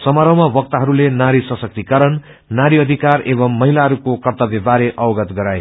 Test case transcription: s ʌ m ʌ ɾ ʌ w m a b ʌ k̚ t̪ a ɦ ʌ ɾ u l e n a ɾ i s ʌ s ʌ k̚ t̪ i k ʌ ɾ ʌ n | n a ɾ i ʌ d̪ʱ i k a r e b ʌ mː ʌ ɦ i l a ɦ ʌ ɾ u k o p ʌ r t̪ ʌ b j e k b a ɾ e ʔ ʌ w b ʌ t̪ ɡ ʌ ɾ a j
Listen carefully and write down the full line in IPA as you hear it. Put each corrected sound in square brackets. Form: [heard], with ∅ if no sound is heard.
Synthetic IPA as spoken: s ʌ m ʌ ɾ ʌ w m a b ʌ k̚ t̪ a ɦ ʌ ɾ u l e n a ɾ i s ʌ s ʌ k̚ t̪ i k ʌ ɾ ʌ n | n a ɾ i ʌ d̪ʱ i k a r e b ʌ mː ʌ ɦ i l a ɦ ʌ ɾ u k o [k] ʌ r t̪ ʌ b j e [∅] b a ɾ e ʔ ʌ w [ɡ] ʌ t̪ ɡ ʌ ɾ a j